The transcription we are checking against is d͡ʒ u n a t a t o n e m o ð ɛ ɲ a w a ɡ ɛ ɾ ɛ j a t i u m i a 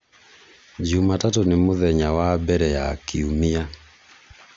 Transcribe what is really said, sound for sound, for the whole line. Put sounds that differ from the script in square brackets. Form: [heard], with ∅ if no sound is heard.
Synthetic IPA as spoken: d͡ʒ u [m] a t a t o n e m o ð ɛ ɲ a w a [b] ɛ ɾ ɛ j a [k] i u m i a